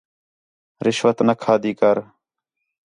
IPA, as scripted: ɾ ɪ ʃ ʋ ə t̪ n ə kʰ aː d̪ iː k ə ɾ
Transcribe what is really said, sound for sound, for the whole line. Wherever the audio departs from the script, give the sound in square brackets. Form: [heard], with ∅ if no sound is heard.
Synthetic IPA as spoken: ɾ ɪ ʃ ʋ ə t̪ n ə kʰ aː d̪ iː k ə ɾ

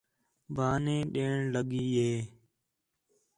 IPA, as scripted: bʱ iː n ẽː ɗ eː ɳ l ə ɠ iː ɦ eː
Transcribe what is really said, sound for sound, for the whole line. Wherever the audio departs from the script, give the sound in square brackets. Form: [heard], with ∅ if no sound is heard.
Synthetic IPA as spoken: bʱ [aː] n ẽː ɗ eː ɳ l ə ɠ iː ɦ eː

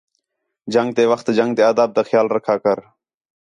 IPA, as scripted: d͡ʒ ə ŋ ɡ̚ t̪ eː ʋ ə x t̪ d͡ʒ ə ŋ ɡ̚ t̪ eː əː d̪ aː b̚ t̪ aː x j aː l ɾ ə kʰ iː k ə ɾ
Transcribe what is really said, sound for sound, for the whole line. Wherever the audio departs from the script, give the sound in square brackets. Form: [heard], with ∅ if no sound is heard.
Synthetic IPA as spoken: d͡ʒ ə ŋ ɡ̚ t̪ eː ʋ ə x t̪ d͡ʒ ə ŋ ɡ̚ t̪ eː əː d̪ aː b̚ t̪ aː x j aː l ɾ ə kʰ [aː] k ə ɾ

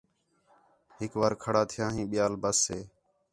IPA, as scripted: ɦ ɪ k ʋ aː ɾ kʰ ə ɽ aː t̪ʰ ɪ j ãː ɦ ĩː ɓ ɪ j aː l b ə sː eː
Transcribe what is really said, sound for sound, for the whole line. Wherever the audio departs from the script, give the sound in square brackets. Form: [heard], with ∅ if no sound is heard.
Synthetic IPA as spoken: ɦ ɪ k ʋ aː ɾ kʰ ə ɽ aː t̪ʰ ɪ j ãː ɦ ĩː ɓ ɪ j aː l b ə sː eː

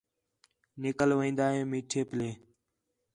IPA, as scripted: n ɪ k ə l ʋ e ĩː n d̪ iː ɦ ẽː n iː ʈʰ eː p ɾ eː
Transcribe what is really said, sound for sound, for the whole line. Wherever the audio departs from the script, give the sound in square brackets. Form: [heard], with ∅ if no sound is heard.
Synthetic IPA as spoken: n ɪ k ə l ʋ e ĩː n d̪ [aː] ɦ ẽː [m] iː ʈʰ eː p [l] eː

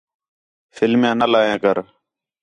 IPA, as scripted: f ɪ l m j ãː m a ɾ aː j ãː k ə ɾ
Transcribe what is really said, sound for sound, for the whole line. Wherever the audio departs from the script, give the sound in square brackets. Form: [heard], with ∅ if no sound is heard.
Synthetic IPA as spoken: f ɪ l m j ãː [n] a [l] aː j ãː k ə ɾ

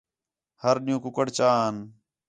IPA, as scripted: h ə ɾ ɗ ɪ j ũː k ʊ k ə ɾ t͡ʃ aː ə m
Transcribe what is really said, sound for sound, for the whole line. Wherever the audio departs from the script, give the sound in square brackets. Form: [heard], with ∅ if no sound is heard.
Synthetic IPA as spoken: h ə ɾ ɗ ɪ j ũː k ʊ k ə [ɽ] t͡ʃ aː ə [n]

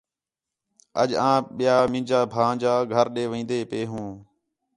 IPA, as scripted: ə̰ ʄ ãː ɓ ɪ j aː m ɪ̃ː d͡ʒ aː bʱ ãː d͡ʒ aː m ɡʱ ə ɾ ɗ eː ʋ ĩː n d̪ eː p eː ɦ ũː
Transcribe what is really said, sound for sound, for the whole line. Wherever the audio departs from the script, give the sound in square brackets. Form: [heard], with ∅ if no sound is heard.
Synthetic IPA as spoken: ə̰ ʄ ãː ɓ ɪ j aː m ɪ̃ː d͡ʒ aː bʱ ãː d͡ʒ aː [∅] ɡʱ ə ɾ ɗ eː ʋ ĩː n d̪ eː p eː ɦ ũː

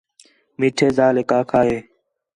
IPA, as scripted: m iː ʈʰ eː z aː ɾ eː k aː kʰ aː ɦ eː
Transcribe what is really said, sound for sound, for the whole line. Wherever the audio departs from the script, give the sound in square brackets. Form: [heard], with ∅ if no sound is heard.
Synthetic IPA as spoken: m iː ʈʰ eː z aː [l] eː k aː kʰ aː ɦ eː

